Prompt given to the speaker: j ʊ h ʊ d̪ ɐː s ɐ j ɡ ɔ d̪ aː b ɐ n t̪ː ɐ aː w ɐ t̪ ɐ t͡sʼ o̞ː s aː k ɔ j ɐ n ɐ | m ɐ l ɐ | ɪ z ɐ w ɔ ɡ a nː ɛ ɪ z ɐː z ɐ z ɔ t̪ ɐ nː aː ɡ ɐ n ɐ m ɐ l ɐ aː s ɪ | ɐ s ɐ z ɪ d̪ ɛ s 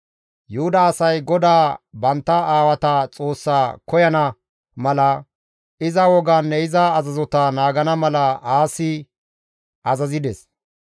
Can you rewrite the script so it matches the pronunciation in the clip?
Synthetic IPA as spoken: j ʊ h ʊ d̪ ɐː s ɐ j ɡ ɔ d̪ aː b ɐ n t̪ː ɐ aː w ɐ t̪ ɐ t͡sʼ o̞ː sː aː k ɔ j ɐ n ɐ | m ɐ l ɐ | ɪ z ɐ w ɔ ɡ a nː ɛ ɪ z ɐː z ɐ z ɔ t̪ ɐ n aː ɡ ɐ n ɐ m ɐ l ɐ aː s ɪ | ɐ z ɐ z ɪ d̪ ɛ s